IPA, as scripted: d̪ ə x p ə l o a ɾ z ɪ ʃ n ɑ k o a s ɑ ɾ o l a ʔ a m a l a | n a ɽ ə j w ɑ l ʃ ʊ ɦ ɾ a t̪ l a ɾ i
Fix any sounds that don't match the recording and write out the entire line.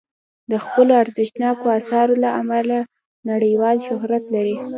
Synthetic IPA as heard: d̪ ə x p ə l o a ɾ z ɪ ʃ n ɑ k o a s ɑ ɾ o l a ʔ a m a l a | n a ɽ ə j w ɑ l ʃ ʊ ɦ ɾ a t̪ l a ɾ i